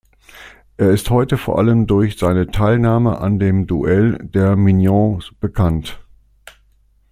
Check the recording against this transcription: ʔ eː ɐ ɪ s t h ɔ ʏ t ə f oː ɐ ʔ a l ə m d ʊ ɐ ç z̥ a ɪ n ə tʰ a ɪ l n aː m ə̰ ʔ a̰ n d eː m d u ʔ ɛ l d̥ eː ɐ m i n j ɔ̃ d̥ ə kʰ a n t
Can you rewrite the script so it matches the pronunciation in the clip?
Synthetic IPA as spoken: ʔ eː ɐ ɪ s t h ɔ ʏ t ə f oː ɐ ʔ a l ə m d ʊ ɐ ç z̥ a ɪ n ə tʰ a ɪ l n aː m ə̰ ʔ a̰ n d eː m d u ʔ ɛ l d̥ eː ɐ m i n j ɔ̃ b̥ ə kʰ a n t